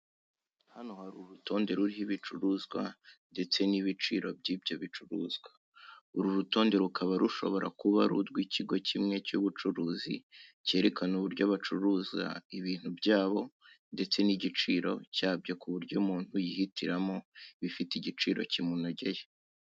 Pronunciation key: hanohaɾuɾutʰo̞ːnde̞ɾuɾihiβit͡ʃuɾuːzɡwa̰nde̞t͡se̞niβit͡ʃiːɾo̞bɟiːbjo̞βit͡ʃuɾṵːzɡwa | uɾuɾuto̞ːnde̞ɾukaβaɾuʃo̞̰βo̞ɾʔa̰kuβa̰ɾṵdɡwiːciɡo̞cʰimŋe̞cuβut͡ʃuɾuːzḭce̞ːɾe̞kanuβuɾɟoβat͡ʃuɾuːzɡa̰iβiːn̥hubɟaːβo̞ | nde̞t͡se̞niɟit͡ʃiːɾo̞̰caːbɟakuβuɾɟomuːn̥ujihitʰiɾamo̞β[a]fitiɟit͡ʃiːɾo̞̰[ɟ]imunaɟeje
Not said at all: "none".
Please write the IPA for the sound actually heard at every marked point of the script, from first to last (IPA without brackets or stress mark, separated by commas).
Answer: i, c